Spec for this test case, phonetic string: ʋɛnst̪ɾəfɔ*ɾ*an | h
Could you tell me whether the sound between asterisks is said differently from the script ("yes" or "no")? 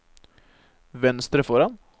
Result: no